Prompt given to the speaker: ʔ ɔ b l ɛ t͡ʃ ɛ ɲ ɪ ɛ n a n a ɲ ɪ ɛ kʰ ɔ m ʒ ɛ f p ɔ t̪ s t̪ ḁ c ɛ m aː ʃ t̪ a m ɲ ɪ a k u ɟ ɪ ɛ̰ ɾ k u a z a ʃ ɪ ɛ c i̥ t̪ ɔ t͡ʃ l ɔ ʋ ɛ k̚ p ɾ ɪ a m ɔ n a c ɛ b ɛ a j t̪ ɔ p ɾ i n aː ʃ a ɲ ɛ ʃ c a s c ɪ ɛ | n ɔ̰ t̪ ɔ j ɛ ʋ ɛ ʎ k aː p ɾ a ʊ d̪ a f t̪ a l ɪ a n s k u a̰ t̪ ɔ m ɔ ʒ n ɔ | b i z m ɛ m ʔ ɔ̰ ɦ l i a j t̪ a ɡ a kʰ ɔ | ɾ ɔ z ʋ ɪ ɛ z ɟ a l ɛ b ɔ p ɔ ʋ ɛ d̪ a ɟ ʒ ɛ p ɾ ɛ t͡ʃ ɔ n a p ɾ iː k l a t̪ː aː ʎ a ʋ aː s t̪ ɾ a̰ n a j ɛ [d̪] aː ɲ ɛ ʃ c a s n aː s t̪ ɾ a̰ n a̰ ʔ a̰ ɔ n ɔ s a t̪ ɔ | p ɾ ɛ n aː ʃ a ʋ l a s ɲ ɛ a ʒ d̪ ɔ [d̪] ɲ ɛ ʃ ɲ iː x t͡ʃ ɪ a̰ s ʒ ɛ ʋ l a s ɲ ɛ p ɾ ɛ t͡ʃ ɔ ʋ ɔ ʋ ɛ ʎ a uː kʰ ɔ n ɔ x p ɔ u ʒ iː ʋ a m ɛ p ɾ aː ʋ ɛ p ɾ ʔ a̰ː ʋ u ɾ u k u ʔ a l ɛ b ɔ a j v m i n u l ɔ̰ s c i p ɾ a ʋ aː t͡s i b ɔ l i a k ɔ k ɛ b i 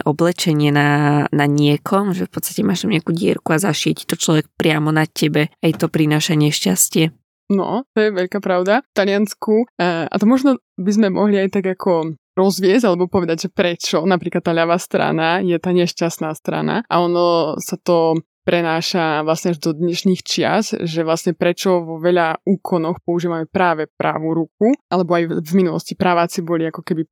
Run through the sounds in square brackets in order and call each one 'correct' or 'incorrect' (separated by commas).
incorrect, correct